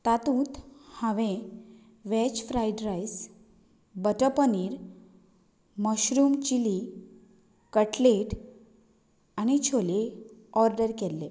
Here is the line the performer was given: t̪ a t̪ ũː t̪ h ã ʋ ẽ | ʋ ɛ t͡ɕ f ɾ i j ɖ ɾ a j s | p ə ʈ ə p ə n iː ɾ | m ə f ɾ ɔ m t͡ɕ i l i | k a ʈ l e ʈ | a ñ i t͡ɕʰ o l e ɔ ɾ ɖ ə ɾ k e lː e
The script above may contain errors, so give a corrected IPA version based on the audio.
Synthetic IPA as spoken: t̪ a t̪ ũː t̪ h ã ʋ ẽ | ʋ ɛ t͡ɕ f ɾ a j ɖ ɾ a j s | b ə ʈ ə p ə n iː ɾ | m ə ɕ ɾ u m t͡ɕ i l i | k ə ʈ l e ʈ | a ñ i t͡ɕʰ o l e ɔ ɾ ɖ ə ɾ k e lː e